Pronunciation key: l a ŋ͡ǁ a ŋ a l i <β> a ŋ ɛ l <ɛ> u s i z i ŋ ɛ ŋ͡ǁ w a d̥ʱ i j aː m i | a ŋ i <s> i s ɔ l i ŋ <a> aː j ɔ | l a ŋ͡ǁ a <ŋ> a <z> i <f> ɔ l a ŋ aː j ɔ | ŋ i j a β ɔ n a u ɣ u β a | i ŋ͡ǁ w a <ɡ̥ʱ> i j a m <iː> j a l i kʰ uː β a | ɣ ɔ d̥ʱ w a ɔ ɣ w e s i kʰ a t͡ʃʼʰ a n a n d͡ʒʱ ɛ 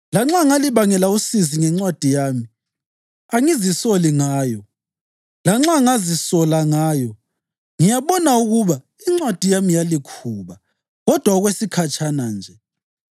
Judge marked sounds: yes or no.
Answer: yes, no, no, yes, yes, yes, no, no, no

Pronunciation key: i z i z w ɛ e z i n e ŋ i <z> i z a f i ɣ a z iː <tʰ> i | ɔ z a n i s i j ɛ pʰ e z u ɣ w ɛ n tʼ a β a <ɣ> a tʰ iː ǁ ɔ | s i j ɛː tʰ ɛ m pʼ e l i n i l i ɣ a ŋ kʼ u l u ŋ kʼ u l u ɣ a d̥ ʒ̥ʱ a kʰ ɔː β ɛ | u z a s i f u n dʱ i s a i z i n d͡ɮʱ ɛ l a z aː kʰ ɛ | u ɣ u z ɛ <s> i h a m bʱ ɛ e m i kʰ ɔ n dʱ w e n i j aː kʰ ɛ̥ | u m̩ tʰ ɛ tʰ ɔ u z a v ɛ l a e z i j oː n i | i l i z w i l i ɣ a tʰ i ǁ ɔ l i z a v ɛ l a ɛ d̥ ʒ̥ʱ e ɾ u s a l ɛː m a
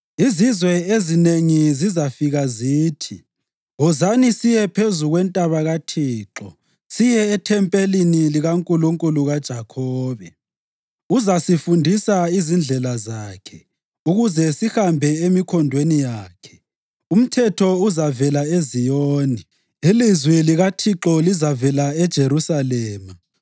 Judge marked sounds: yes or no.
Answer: yes, yes, yes, yes

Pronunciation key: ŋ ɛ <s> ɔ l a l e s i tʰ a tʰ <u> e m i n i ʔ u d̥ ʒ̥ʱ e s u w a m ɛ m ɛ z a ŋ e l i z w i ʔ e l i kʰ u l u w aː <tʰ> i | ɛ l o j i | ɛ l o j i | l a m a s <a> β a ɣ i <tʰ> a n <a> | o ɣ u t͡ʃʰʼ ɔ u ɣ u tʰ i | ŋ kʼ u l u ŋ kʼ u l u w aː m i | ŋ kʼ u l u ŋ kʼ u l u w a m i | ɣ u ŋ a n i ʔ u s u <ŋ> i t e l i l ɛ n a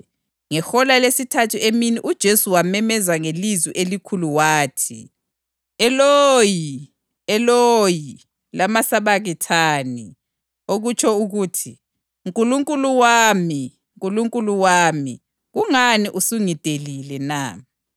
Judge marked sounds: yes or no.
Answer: no, yes, yes, yes, yes, no, yes

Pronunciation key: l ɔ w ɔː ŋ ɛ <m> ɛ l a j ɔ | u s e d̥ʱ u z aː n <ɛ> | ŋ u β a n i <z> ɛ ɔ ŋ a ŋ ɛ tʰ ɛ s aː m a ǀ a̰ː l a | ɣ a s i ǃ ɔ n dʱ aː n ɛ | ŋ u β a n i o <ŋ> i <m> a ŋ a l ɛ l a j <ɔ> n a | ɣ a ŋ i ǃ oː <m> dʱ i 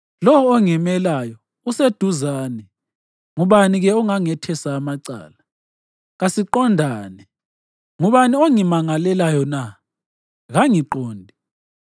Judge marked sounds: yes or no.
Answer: yes, yes, no, yes, yes, yes, no

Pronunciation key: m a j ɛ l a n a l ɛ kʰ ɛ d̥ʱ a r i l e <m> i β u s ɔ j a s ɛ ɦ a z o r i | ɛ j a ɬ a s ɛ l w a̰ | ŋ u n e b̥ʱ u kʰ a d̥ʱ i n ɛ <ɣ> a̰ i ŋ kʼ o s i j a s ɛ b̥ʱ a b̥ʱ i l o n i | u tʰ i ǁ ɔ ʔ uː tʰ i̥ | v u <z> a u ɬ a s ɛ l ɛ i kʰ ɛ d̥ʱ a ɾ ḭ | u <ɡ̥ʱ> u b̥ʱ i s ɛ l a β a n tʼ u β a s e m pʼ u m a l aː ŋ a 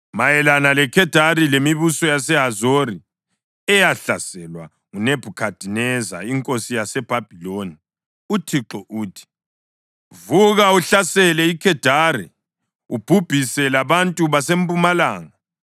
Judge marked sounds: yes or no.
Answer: yes, no, no, no

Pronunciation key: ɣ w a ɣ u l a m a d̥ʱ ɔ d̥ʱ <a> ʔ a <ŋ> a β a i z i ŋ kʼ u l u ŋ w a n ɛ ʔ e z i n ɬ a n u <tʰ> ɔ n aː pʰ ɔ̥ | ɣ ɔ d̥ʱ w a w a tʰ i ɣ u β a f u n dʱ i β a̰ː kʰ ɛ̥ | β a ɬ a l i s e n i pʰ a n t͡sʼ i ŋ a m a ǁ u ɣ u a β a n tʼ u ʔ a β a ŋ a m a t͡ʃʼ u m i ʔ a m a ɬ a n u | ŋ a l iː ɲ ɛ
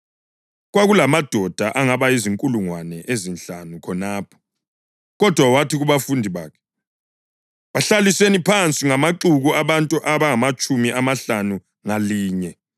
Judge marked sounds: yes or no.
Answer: yes, yes, no

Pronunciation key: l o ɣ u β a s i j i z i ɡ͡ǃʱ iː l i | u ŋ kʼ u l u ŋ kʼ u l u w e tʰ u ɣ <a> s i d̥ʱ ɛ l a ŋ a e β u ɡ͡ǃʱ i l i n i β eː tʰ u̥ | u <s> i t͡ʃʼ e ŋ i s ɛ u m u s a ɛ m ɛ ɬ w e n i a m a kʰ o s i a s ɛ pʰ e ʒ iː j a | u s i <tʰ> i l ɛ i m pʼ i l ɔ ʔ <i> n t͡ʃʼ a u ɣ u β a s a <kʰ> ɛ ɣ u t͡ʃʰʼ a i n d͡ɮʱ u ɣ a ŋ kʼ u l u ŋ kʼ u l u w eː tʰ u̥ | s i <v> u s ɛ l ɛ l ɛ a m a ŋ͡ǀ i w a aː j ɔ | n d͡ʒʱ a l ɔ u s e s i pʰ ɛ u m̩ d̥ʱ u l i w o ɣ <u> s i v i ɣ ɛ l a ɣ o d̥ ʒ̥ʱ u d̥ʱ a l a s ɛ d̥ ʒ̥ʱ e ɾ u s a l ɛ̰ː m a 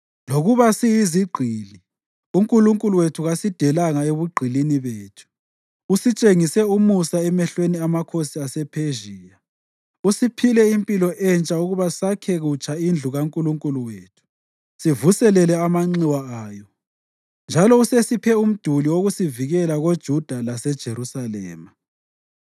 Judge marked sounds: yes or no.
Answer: yes, yes, no, no, yes, yes, yes

